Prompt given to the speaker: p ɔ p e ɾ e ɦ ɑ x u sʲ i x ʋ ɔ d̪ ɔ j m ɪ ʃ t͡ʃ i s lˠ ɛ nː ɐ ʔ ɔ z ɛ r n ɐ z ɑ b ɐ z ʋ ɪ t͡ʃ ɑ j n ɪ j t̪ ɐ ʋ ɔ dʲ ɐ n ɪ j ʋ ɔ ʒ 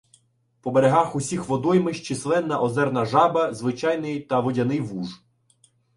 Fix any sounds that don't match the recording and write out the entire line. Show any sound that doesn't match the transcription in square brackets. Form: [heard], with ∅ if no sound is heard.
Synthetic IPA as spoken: p ɔ [b] e ɾ e ɦ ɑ x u sʲ i x ʋ ɔ d̪ ɔ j m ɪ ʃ t͡ʃ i s lˠ ɛ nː ɐ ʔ ɔ z ɛ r n ɐ [ʒ] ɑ b ɐ z ʋ ɪ t͡ʃ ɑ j n ɪ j t̪ ɐ ʋ ɔ dʲ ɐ n ɪ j ʋ [u] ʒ